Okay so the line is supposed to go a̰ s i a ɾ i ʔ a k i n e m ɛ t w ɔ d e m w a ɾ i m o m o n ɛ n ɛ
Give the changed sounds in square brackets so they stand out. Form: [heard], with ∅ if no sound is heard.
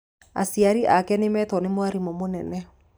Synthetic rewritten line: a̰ s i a ɾ i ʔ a k [ɛ] n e m ɛ t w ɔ [n] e m w a ɾ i m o m o n ɛ n ɛ

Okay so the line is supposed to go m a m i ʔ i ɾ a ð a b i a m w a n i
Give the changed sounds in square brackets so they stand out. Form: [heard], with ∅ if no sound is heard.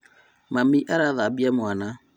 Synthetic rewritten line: m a m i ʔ [a] ɾ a ð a b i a m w a n [a]

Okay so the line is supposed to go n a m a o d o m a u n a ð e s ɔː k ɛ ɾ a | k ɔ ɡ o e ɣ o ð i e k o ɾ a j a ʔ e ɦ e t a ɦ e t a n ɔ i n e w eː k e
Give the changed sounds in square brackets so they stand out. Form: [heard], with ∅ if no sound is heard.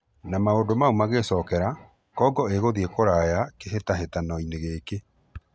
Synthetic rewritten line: n a m a o d o m a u [m] a [ɣ] e s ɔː k ɛ ɾ a | k ɔ ɡ [ɔ] e ɣ o ð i e k o ɾ a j a [k] e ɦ e t a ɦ e t a n ɔ i n e [ɣ] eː k e

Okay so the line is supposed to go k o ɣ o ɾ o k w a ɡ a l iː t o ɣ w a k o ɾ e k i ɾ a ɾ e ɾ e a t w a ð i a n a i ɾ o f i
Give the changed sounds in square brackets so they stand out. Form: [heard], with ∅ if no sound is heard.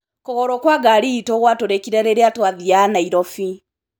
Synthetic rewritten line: k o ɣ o ɾ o k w a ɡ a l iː t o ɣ w a [t] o ɾ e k i ɾ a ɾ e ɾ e a t w a ð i a n a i ɾ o f i

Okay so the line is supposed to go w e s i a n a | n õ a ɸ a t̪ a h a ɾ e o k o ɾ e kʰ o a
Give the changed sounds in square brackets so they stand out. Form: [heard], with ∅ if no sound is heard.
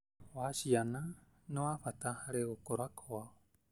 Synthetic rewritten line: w [a] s i a n a | n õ a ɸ a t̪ a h a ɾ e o k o ɾ [a] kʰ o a

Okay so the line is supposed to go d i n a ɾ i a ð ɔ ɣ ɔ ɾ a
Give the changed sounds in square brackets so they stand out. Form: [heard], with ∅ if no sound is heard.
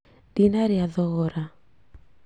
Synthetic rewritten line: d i n a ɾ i a ð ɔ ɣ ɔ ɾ a

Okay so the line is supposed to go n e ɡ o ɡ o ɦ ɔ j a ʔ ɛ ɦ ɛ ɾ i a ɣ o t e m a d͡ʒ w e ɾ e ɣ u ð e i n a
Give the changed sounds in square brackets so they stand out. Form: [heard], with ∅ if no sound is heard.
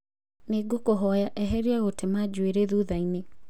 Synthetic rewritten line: n e ɡ o [k] o ɦ ɔ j a ʔ ɛ ɦ ɛ ɾ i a ɣ o t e m a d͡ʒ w e ɾ e [ð] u ð [a] i n [e]

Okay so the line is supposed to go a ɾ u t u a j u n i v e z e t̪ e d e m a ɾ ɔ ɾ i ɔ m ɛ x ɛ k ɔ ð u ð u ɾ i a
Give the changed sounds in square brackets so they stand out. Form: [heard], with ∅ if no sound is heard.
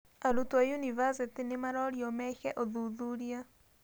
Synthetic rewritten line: a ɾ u t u a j u n i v [a] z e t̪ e [n] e m a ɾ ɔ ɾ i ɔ m ɛ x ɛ [ʔ] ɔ ð u ð u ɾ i a

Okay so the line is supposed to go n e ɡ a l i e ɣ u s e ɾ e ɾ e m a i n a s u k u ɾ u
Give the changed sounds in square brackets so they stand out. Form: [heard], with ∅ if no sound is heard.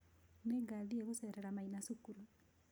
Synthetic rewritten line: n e ɡ a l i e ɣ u s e ɾ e ɾ [a] m a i n a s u k u ɾ u

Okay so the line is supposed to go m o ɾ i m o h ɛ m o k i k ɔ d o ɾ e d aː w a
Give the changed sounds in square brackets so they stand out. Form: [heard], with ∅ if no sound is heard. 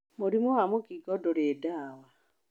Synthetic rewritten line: m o ɾ i m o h [a] m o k i [ɡ] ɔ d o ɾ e d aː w a

